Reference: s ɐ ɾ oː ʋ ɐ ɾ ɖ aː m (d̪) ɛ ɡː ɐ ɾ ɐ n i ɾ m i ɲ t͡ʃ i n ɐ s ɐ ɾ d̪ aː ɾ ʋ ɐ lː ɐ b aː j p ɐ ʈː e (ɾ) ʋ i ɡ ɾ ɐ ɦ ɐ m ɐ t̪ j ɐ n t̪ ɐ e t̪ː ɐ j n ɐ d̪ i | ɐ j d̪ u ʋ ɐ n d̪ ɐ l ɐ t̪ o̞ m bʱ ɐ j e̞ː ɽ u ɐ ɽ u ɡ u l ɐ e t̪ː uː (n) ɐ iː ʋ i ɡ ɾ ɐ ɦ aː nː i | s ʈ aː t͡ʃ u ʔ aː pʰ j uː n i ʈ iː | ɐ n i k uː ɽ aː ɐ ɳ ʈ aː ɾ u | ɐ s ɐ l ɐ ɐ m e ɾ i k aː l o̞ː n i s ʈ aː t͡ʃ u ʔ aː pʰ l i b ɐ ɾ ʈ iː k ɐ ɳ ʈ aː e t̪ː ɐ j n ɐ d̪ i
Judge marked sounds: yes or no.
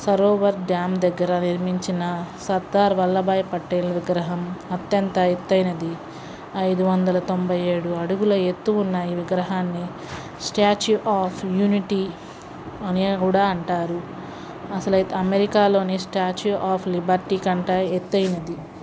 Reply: yes, no, no

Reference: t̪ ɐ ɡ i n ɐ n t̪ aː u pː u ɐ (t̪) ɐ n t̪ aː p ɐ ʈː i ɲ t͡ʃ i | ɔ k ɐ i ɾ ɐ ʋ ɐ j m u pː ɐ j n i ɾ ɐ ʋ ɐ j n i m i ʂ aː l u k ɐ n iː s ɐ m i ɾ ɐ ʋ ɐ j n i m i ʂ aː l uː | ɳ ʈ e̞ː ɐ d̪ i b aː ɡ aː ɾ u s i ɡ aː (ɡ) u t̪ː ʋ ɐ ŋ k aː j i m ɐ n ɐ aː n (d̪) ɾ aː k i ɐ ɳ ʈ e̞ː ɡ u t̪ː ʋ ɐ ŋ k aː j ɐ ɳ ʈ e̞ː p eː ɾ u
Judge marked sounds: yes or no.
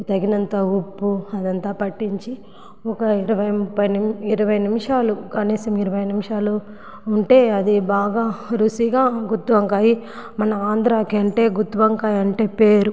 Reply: no, yes, yes

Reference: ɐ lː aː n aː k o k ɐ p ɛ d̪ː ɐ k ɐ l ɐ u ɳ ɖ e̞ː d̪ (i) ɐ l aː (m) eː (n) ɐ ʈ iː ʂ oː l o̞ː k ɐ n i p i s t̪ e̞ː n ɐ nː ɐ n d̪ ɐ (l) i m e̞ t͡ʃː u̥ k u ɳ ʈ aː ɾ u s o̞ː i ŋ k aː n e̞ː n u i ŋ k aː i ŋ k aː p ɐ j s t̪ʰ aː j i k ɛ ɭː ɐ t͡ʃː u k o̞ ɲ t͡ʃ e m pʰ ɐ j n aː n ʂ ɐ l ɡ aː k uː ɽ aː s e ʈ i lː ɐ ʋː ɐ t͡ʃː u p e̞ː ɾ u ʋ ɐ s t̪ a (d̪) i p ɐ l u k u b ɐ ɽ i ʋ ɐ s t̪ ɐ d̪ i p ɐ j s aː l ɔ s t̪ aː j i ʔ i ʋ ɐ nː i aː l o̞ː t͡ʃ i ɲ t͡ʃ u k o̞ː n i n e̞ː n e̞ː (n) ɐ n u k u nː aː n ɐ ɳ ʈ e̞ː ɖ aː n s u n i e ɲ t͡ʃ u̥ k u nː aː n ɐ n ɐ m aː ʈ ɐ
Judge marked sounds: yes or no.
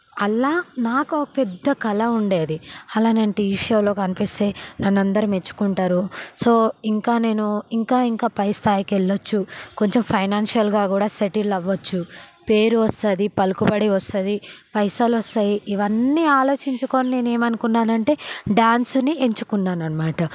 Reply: yes, no, yes, no, yes, no

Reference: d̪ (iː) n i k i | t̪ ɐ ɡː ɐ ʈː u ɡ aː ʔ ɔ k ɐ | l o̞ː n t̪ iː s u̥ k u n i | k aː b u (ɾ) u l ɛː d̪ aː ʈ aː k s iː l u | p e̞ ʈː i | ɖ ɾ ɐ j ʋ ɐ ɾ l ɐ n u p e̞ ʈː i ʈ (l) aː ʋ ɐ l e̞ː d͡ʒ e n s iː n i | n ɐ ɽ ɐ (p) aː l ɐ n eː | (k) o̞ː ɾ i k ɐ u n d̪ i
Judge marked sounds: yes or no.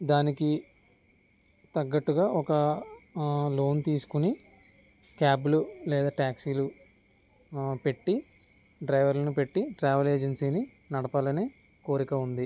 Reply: no, no, no, yes, yes

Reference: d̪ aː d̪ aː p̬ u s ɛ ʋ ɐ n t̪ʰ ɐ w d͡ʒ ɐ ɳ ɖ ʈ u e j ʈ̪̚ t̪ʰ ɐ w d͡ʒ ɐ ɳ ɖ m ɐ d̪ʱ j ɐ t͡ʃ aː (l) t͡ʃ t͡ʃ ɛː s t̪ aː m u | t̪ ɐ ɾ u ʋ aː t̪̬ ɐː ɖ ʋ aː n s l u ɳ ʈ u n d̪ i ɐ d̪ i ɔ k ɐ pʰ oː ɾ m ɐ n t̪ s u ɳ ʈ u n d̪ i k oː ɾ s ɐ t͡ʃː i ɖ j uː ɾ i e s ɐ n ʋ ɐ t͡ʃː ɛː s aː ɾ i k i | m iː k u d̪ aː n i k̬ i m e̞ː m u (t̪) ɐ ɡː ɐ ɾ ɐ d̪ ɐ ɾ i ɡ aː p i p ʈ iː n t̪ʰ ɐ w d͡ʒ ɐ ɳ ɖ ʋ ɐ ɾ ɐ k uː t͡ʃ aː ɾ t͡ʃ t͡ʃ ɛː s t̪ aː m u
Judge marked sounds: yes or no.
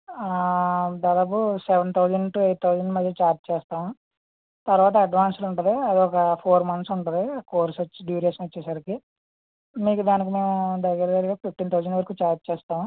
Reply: no, no

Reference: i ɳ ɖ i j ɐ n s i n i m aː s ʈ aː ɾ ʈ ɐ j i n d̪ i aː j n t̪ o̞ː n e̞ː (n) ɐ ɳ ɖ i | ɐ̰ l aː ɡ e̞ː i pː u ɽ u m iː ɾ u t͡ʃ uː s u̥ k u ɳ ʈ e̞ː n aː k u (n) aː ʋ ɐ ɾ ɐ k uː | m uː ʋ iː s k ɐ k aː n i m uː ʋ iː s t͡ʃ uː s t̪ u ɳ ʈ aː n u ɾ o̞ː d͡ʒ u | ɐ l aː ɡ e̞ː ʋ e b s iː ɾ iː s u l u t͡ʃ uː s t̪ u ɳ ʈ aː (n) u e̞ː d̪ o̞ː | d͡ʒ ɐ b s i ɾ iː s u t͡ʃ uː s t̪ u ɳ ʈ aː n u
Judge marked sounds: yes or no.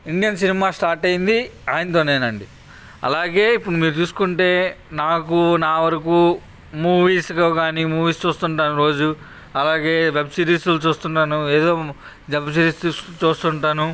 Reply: yes, yes, yes

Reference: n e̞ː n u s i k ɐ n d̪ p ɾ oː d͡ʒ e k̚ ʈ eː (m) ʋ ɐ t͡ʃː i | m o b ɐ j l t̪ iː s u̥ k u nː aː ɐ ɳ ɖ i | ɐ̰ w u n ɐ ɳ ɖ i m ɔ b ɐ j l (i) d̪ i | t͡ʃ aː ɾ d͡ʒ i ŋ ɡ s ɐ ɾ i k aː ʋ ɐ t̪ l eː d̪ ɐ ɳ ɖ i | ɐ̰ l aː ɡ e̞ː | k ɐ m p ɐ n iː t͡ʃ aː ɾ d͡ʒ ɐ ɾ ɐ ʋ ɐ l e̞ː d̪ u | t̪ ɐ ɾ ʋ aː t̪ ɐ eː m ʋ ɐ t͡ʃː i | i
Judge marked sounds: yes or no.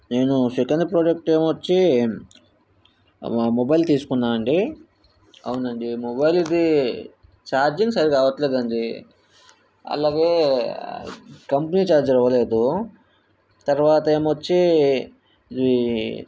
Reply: yes, yes

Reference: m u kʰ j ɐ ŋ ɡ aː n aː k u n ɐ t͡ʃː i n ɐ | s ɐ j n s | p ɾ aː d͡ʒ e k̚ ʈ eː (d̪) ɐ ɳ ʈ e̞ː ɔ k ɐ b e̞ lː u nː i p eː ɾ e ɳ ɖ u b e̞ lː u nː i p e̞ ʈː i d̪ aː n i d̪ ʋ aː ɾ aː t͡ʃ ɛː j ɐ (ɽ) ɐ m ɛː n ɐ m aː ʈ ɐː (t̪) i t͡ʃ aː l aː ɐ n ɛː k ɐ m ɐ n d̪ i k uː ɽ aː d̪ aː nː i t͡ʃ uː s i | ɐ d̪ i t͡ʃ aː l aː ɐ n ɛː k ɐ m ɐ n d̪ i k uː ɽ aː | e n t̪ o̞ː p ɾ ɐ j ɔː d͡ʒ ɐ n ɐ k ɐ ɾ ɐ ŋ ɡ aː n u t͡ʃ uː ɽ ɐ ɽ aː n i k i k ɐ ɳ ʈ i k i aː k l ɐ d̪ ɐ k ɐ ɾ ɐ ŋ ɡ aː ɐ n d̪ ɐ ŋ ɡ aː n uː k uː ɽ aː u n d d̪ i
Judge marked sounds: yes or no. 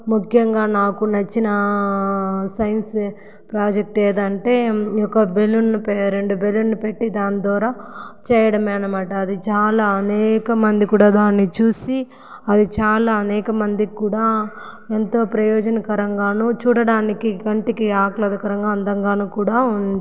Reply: yes, yes, no

